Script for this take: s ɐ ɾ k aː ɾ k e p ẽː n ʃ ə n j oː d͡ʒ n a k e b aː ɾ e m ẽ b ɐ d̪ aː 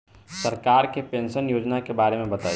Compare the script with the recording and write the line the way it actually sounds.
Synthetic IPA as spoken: s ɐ ɾ k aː ɾ k e p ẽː n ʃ ə n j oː d͡ʒ n a k e b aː ɾ e m ẽ b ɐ t̪ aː